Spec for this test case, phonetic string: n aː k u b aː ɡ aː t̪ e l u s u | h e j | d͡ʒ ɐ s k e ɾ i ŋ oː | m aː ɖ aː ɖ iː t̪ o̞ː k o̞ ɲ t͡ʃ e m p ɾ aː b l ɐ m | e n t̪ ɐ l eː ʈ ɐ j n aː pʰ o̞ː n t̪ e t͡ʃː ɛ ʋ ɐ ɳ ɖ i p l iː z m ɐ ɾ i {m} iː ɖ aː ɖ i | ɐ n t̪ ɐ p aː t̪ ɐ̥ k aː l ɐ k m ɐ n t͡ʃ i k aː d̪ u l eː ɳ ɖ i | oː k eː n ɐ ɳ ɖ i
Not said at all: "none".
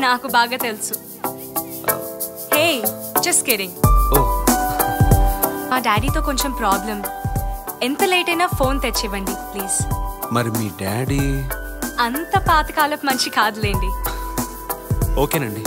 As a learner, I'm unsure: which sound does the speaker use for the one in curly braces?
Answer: m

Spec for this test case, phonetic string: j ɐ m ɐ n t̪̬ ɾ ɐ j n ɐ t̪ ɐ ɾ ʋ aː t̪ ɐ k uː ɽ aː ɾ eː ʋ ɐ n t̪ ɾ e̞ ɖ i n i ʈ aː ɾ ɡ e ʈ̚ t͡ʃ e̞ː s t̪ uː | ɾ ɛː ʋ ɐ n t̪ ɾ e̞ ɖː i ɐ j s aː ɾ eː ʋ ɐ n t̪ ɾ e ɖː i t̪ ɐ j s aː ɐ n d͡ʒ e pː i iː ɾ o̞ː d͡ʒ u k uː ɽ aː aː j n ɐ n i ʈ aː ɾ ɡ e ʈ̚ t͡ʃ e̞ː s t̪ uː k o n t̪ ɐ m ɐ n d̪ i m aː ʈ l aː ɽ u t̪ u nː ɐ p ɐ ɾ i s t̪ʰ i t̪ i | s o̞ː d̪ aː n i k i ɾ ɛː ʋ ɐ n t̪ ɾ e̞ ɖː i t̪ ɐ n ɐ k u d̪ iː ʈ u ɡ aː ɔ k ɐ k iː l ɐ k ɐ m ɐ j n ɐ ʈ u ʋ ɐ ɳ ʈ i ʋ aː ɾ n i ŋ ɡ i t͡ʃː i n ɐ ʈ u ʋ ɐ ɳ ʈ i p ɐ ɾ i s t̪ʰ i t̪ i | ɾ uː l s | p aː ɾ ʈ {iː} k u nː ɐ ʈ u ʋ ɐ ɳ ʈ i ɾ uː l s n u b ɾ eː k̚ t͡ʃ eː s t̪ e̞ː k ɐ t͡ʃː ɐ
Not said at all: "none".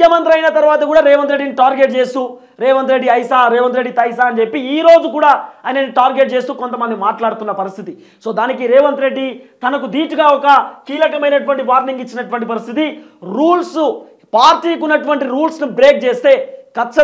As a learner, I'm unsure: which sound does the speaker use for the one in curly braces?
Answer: iː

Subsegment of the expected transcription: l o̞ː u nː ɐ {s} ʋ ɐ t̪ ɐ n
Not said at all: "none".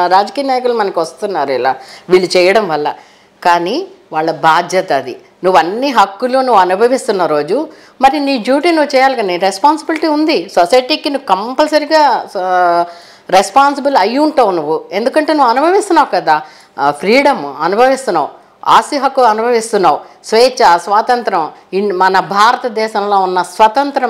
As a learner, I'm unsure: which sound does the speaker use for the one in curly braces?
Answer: s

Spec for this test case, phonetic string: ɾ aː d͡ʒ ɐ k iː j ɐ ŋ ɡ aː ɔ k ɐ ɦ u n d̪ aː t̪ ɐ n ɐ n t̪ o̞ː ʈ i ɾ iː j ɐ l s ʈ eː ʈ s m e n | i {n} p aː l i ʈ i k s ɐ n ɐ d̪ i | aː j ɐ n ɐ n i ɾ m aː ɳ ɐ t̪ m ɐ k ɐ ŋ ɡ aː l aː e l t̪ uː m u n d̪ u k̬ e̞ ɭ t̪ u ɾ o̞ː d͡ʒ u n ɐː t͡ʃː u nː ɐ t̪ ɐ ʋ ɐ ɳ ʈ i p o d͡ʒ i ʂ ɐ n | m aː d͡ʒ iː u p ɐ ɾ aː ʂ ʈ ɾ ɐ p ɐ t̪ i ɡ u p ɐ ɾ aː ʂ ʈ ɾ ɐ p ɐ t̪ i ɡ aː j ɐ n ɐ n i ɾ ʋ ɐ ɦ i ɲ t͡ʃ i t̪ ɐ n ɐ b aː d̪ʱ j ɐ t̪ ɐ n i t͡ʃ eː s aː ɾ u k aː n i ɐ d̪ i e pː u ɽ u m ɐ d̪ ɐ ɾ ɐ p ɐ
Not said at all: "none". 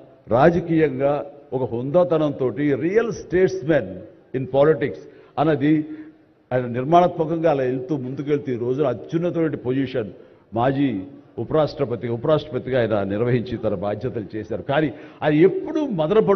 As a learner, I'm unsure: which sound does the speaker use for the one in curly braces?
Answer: n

